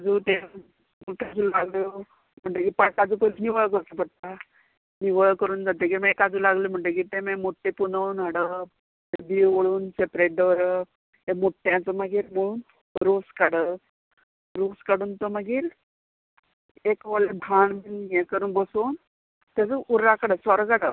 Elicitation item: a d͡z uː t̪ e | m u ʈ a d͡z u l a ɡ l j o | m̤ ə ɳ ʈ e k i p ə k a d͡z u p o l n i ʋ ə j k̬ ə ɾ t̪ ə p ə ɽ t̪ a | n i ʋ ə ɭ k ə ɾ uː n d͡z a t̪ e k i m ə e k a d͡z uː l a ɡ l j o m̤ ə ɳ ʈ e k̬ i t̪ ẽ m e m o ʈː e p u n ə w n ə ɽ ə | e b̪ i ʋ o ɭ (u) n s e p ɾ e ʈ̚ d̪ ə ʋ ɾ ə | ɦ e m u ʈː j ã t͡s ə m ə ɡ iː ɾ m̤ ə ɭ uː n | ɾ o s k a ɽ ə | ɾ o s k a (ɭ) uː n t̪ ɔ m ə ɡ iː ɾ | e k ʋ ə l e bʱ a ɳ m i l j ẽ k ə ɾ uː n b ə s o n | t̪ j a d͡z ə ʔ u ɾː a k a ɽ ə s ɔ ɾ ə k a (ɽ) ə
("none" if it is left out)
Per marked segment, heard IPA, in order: uː, ɽ, ɽ

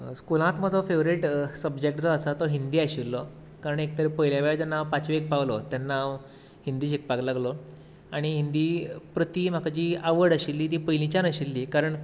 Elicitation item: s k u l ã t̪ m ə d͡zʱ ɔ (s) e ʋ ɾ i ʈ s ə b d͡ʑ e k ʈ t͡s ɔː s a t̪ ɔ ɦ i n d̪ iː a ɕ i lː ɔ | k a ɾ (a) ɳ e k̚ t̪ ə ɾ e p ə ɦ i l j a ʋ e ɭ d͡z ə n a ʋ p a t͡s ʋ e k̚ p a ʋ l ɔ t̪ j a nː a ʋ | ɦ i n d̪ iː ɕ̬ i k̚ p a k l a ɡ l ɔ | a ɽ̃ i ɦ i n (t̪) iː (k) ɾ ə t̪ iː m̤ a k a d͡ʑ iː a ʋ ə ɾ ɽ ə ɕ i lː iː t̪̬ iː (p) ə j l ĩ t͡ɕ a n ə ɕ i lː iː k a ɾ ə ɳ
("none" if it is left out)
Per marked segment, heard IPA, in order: f, ə, d̪, p, p

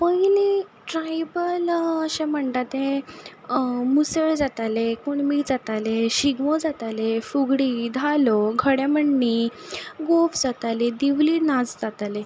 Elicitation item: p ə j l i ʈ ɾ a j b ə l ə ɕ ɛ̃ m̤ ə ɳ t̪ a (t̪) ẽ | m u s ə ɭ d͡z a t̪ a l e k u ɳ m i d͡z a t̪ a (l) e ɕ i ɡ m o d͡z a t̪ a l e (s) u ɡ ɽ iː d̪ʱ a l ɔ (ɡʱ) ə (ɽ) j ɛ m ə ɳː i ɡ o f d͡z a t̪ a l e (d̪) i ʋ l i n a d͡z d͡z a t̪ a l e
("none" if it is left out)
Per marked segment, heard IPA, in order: t̪, l, f, ɡʱ, ɽ, d̪

